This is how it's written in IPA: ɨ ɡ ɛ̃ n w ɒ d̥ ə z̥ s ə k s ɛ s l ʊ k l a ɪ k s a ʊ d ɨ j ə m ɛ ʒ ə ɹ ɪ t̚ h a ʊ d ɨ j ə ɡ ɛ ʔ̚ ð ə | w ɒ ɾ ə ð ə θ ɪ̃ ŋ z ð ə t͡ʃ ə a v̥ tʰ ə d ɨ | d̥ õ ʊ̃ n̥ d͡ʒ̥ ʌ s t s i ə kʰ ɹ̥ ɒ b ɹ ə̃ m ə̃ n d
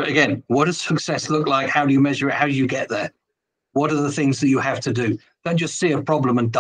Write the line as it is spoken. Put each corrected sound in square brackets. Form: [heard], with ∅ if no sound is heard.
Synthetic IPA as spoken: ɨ ɡ ɛ̃ n w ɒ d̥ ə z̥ s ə k s ɛ s l ʊ k l a ɪ k [h] a ʊ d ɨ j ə m ɛ ʒ ə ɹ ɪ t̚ h a ʊ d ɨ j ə ɡ ɛ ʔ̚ ð ə | w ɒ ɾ ə ð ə θ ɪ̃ ŋ z ð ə t͡ʃ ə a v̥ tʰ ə d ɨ | d̥ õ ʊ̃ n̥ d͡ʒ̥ ʌ s t s i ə [pʰ] ɹ̥ ɒ b [l] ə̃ m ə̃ n d